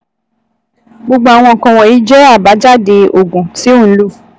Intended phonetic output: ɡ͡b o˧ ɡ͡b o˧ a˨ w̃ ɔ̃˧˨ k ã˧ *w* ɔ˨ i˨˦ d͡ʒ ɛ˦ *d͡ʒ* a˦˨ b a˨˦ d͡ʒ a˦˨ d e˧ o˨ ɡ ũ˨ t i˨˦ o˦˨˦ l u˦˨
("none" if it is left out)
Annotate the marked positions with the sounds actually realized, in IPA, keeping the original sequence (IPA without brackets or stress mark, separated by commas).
w, none